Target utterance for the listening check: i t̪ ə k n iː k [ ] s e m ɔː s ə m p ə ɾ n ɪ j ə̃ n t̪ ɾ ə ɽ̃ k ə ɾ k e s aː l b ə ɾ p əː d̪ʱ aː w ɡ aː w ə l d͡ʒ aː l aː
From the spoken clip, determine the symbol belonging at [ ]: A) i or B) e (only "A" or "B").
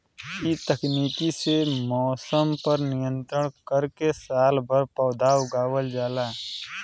A